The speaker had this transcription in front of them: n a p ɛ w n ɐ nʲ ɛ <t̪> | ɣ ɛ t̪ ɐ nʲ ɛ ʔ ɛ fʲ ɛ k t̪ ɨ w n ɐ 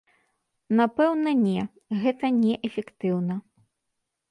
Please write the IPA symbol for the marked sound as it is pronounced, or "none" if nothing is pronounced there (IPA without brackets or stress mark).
none